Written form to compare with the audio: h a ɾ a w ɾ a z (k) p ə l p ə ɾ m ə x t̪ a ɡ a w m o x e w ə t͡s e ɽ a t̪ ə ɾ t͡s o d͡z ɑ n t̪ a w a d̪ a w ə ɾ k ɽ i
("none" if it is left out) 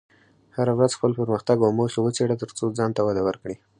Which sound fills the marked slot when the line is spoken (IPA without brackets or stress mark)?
x